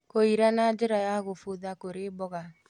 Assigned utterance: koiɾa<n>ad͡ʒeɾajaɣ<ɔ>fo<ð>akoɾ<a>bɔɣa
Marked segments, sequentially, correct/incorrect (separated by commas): correct, incorrect, correct, incorrect